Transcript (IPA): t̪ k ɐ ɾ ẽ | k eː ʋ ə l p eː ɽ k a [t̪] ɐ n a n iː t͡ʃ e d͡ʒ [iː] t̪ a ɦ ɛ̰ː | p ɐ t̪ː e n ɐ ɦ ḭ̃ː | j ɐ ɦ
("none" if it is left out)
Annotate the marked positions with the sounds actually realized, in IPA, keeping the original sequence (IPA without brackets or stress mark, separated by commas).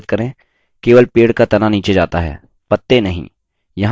t̪, aː